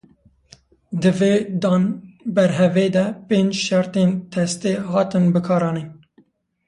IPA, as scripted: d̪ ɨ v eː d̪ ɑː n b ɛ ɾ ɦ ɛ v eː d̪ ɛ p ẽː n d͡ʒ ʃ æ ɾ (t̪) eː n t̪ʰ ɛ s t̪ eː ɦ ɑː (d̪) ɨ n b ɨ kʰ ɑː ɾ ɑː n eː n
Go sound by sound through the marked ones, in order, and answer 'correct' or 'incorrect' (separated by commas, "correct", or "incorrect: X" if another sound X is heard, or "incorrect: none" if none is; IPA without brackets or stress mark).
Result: correct, incorrect: t̪